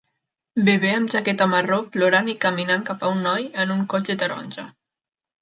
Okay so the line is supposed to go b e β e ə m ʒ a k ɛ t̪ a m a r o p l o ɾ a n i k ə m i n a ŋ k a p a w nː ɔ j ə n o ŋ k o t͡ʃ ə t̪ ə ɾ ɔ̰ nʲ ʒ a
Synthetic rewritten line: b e β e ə m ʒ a k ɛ t̪ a m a r o p l o ɾ a n i k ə m i n a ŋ k a p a u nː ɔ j ə n u ŋ k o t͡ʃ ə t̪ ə ɾ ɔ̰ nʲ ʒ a